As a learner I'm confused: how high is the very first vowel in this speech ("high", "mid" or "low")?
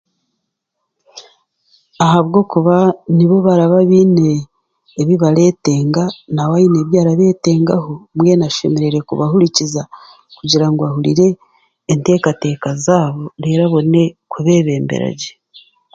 low